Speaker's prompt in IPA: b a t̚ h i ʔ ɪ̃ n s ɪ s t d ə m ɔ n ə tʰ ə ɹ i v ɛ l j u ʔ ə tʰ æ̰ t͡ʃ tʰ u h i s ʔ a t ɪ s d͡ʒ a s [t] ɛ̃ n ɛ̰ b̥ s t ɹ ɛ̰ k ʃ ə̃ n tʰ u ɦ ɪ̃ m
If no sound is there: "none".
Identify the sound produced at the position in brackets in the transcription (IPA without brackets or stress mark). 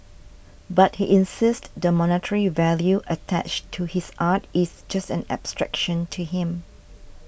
t